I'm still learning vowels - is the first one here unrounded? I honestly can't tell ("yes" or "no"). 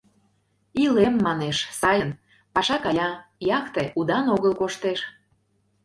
yes